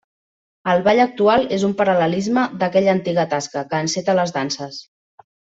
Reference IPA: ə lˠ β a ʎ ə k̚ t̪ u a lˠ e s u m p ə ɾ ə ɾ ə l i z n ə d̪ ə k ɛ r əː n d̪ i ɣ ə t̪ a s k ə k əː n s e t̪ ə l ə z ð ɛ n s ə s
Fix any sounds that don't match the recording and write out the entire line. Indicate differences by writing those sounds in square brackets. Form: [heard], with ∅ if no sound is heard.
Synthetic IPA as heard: ə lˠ β a ʎ ə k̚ t̪ u a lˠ e [z] u m p ə ɾ ə [l] ə l i z [m] ə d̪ ə k ɛ [ʎ] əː n [t̪] i ɣ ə t̪ a s k ə k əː n s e t̪ ə l ə z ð [a] n s ə s